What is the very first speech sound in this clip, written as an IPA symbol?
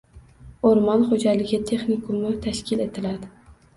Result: o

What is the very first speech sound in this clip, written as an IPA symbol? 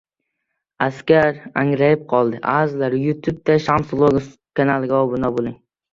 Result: a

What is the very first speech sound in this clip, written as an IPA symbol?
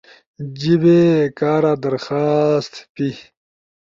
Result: d͡ʑ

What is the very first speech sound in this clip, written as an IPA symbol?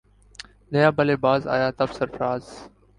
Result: n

